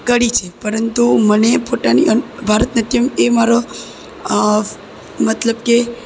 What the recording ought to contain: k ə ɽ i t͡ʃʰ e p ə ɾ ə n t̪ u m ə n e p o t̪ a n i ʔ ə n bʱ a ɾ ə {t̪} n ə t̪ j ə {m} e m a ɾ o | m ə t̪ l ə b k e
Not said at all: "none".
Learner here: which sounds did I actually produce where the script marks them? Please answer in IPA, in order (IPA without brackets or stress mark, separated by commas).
t̪, m